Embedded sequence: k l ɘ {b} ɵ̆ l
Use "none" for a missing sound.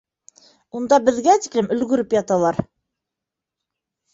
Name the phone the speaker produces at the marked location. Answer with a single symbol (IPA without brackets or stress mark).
m